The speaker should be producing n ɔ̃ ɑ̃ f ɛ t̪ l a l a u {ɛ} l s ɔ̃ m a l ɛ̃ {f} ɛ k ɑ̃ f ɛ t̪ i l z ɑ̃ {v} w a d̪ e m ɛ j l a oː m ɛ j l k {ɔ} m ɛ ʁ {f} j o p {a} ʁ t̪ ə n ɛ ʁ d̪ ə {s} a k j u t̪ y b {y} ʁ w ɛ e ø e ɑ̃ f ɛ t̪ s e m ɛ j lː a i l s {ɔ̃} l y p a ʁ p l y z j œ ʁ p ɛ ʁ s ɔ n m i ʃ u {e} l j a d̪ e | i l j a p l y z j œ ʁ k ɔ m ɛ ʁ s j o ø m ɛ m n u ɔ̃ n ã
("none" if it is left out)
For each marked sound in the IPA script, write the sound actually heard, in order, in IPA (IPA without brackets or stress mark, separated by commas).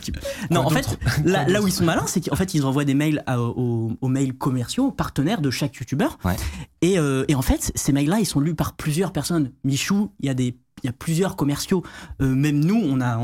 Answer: i, s, v, ɔ, s, a, ʃ, œ, ɔ̃, i